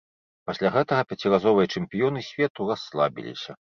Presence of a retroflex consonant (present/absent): present